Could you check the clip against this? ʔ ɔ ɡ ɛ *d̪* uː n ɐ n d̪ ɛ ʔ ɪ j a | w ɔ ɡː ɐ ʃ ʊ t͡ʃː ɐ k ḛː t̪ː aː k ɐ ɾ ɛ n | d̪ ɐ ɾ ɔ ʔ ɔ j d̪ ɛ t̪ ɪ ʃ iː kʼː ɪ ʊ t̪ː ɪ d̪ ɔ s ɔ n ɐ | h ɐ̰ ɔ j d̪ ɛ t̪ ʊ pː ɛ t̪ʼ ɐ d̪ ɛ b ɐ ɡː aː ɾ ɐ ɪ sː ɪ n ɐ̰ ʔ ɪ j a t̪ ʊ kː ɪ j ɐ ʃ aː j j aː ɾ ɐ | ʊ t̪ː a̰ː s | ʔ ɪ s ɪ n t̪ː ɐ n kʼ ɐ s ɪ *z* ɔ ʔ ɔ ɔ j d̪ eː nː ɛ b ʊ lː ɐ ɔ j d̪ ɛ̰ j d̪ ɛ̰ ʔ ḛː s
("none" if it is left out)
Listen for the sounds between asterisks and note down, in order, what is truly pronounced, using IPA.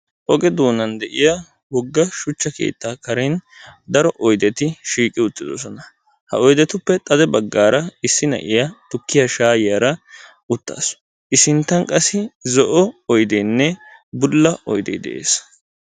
d̪, z

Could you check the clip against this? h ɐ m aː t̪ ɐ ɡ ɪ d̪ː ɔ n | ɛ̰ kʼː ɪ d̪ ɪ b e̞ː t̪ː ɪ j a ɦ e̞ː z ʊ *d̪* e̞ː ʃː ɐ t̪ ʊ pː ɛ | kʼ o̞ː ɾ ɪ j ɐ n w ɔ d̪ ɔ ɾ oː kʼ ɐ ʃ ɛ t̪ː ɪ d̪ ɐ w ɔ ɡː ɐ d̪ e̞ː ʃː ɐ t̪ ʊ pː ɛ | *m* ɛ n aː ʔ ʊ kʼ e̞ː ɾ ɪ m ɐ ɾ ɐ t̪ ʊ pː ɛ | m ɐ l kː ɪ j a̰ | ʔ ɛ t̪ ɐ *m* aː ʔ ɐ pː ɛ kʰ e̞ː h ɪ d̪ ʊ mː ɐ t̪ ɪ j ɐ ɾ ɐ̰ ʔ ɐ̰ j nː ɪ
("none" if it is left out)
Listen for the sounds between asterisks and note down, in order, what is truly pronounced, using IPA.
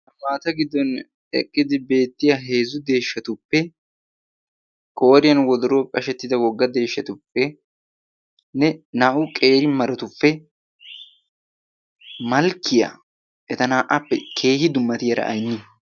d̪, n, n

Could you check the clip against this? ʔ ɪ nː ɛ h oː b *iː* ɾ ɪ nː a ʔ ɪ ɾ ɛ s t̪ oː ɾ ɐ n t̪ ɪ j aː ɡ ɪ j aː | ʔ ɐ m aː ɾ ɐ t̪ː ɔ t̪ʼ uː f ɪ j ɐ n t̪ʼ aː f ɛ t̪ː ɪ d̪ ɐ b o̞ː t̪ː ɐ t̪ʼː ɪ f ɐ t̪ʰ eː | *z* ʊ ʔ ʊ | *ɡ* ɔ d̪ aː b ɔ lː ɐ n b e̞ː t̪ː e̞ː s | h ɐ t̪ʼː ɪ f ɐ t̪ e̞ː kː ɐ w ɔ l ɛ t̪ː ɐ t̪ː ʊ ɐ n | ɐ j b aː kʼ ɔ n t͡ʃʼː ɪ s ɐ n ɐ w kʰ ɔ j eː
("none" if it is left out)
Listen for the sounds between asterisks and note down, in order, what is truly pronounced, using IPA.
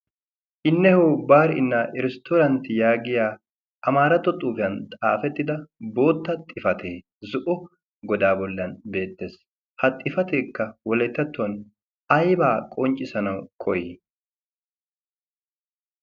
aː, z, ɡ

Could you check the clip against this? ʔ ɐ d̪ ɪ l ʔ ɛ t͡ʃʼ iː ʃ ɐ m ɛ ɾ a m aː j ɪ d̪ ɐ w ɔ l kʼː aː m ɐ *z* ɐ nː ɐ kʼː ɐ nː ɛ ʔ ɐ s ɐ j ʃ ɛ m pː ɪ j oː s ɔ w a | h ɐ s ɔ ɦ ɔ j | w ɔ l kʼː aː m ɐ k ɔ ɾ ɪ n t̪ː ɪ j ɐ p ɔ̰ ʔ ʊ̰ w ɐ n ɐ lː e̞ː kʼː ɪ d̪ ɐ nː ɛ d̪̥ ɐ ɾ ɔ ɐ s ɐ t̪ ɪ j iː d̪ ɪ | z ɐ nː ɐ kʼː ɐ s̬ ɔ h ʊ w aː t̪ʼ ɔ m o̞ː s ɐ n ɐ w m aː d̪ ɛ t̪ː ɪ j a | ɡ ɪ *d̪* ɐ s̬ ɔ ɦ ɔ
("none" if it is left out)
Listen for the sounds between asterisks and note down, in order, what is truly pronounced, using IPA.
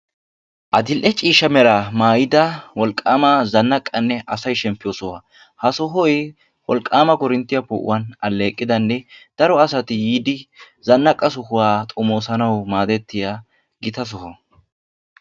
z, t̪

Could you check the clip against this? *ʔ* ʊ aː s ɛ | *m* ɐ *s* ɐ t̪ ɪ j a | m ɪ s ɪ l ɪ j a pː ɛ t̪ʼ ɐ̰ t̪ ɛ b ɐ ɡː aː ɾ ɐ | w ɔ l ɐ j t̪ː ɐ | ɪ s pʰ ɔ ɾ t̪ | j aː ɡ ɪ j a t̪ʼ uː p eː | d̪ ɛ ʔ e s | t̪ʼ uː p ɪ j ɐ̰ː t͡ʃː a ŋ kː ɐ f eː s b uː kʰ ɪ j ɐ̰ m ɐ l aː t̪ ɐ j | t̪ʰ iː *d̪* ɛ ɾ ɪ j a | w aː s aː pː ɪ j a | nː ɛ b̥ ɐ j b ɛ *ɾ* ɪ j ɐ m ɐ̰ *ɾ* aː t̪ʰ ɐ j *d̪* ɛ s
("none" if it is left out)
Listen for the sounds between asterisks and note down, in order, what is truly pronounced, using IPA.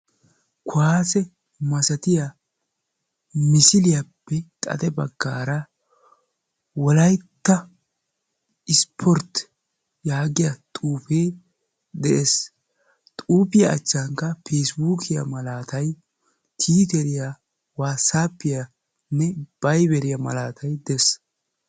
k, m, s, t̪, ɾ, l, d̪

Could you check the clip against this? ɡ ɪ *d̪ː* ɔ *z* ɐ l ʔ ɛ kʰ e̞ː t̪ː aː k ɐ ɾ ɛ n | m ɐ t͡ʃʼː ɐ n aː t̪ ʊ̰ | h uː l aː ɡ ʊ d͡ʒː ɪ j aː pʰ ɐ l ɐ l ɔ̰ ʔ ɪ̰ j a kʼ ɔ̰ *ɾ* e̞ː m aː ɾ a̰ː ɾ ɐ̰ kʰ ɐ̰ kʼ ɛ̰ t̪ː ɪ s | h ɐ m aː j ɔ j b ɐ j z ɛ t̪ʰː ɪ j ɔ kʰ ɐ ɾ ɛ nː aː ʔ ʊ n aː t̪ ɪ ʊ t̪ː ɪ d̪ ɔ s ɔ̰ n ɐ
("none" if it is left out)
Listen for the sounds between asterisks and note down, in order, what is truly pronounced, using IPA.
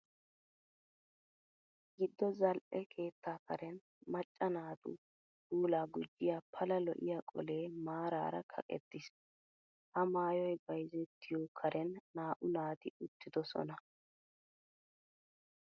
d̪ː, z, l

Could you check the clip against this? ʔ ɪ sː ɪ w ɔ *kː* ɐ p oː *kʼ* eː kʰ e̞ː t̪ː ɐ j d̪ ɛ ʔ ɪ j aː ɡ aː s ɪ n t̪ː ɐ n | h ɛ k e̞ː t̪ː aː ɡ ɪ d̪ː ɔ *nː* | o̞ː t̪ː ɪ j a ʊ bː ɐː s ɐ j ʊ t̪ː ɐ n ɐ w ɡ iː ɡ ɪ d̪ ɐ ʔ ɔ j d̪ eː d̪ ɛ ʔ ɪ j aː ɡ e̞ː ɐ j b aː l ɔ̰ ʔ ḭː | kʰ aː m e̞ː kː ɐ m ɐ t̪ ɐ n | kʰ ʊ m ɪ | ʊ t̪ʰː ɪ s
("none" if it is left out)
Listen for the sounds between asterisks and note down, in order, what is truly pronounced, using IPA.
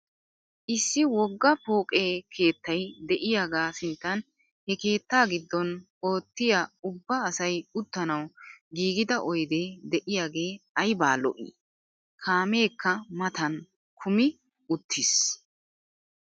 ɡː, kʼ, n

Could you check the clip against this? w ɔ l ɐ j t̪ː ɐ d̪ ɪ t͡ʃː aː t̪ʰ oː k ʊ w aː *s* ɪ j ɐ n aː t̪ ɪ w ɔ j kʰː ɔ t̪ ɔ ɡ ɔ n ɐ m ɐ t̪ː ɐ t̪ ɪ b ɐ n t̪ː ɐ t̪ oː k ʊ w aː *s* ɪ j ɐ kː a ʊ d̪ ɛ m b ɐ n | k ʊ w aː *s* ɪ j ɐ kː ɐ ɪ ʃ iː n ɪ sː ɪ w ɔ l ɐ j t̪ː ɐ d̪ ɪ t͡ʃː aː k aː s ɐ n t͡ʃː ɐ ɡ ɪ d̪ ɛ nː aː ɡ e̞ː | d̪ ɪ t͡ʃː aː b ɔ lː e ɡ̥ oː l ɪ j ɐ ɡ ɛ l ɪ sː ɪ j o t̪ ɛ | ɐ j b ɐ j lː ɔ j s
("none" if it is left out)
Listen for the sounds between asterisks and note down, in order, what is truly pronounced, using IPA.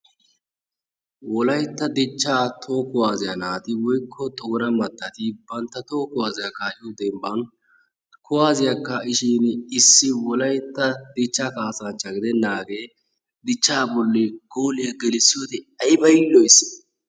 z, z, z

